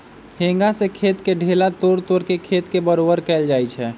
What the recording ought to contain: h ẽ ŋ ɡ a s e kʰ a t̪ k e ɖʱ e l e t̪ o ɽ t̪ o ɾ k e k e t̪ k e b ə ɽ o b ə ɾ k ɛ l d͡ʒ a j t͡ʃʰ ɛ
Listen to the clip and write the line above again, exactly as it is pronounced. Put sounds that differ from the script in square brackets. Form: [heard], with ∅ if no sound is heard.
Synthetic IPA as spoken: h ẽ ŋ ɡ a s e kʰ [e] t̪ k e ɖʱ e l [a] t̪ o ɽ t̪ o ɾ k e [kʰ] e t̪ k e b ə [ɾ] o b ə ɾ k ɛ l d͡ʒ a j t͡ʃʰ ɛ